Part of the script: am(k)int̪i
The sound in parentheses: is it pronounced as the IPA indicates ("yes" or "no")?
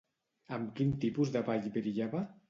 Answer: yes